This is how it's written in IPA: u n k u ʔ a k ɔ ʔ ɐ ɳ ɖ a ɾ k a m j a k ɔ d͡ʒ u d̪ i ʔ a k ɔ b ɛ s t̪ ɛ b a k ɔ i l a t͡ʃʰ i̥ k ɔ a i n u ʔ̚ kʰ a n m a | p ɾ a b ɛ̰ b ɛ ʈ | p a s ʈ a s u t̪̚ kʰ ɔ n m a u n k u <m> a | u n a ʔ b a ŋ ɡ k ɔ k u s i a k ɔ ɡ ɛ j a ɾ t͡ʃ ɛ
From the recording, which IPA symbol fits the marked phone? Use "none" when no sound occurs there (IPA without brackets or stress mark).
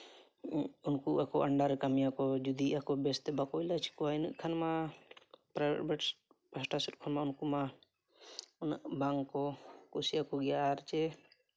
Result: m